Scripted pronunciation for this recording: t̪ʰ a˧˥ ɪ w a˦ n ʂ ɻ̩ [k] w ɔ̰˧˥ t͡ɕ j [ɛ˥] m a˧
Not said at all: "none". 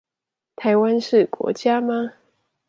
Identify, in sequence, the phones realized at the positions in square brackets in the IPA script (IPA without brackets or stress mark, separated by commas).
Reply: k, a˥